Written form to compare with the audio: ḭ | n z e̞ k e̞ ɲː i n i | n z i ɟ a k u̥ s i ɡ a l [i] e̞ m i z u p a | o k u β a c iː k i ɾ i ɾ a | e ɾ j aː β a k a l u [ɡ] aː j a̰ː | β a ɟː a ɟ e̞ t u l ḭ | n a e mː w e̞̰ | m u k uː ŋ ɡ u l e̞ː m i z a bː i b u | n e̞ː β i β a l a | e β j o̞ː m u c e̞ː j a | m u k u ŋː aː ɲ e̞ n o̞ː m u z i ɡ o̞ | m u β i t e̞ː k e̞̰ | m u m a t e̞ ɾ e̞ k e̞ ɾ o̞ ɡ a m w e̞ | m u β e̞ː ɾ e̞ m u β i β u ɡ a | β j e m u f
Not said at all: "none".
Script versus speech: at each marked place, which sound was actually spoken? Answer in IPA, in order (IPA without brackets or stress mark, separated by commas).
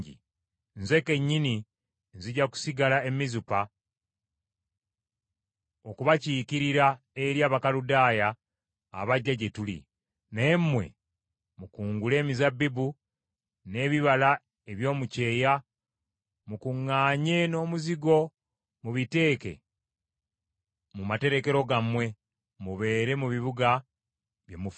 a, d